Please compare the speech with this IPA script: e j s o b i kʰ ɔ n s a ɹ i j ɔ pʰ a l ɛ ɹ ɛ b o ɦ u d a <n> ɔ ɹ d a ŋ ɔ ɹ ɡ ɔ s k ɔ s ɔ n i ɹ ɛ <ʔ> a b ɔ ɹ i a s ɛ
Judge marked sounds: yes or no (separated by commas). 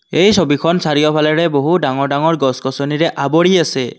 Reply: no, yes